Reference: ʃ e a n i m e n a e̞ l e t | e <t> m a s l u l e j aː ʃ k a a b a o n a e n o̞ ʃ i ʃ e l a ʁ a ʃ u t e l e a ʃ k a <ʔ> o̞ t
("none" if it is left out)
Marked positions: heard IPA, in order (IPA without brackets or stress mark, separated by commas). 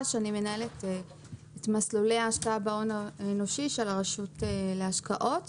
t, ʔ